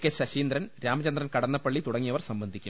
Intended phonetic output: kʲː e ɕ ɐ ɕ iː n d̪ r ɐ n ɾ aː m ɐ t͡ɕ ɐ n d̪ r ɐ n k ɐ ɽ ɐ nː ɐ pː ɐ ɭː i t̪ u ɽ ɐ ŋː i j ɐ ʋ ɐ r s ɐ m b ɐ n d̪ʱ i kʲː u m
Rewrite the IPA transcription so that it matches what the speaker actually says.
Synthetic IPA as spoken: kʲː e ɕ ɐ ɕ iː n d̪ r ɐ n ɾ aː m ɐ t͡ɕ ɐ n d̪ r ɐ n k ɐ ɽ ɐ nː ɐ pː ɐ ɭː i t̪ u ɽ ɐ ŋː i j ɐ ʋ ɐ r s ɐ m b ɐ n d̪ʱ i kʲː u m